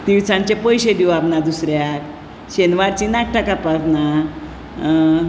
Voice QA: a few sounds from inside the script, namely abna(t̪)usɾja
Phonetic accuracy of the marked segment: incorrect: d̪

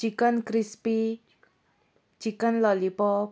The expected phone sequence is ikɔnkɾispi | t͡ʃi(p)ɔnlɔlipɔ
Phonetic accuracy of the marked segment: incorrect: k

